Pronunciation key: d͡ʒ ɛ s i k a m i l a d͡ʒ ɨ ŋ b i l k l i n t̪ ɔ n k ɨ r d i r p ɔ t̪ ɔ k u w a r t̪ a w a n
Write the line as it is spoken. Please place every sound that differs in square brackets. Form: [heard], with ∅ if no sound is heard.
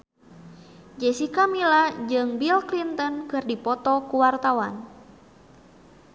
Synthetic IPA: d͡ʒ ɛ s i k a m i l a d͡ʒ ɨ ŋ b i l k l i n t̪ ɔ n k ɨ r d i [∅] p ɔ t̪ ɔ k u w a r t̪ a w a n